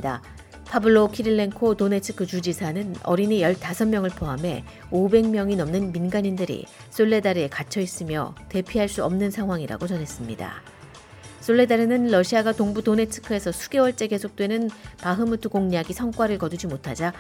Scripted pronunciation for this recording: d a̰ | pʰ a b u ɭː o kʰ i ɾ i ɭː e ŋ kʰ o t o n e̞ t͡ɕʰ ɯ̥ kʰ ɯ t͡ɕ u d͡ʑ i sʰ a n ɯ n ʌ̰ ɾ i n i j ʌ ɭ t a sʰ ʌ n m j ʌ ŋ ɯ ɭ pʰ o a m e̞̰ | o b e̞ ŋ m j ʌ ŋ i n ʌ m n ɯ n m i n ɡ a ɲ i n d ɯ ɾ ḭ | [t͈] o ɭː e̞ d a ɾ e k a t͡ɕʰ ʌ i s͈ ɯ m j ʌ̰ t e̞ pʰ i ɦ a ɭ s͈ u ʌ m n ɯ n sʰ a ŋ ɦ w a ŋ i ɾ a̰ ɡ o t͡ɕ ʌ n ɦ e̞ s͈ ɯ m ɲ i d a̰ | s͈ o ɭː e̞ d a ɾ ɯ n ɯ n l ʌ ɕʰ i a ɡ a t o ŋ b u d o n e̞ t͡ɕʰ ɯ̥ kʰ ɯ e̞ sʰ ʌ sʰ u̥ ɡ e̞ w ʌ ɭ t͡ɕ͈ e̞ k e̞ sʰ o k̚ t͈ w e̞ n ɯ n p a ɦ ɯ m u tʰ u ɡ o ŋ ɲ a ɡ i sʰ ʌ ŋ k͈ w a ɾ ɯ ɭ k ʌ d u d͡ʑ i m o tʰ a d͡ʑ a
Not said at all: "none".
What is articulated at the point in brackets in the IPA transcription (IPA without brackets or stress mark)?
s͈